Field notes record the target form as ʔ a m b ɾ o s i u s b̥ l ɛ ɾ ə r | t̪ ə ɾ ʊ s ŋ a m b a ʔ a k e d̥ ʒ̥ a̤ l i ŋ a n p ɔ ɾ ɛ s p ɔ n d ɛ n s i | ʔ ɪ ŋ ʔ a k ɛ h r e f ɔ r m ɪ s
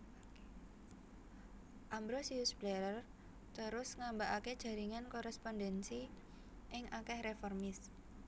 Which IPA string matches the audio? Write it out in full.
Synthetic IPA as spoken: ʔ a m b ɾ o s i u s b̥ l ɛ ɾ ə r | t̪ ə ɾ ʊ s ŋ a m b a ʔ a k e d̥ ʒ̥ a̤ ɾ i ŋ a n k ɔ ɾ ɛ s p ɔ n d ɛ n s i | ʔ ɪ ŋ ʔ a k ɛ h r e f ɔ r m ɪ s